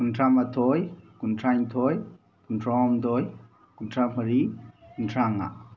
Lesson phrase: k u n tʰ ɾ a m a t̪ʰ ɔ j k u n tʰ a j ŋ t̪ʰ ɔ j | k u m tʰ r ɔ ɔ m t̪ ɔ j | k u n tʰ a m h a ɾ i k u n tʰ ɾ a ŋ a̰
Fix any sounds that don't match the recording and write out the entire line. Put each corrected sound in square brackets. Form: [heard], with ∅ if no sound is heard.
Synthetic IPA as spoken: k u n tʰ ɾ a m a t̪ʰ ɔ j k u n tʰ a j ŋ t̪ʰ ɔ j | k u [n] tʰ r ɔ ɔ m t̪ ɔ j | k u n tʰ a m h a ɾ i k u n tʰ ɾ a ŋ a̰